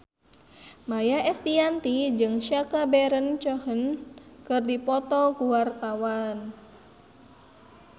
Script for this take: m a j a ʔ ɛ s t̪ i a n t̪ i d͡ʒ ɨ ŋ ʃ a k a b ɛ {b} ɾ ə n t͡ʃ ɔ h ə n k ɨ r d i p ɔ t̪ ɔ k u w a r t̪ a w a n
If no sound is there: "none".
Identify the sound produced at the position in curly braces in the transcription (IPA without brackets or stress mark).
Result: none